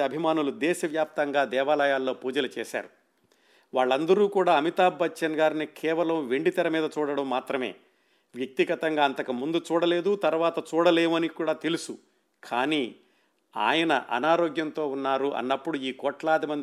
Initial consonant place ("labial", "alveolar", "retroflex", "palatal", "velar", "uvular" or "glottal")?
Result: labial